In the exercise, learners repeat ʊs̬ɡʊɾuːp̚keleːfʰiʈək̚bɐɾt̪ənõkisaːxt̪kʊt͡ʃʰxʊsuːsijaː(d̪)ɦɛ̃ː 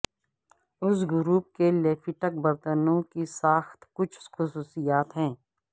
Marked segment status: incorrect: t̪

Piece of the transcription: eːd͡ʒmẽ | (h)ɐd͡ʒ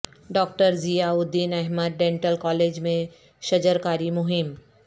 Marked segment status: incorrect: ʃ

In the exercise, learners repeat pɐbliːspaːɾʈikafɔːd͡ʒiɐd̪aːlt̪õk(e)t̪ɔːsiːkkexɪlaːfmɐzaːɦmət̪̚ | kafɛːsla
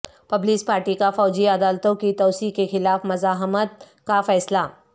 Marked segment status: incorrect: i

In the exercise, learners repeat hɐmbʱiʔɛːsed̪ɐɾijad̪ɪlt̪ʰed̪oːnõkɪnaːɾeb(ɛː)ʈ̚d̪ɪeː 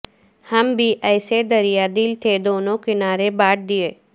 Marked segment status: incorrect: aː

